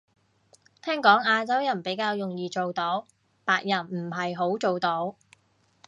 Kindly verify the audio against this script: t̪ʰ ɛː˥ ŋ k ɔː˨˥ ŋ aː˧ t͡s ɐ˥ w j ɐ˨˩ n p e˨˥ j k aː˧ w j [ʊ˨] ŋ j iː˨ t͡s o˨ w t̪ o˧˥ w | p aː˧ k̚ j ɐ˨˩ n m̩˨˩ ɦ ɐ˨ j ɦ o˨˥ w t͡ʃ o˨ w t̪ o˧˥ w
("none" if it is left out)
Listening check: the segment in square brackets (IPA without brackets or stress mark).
ʊ˨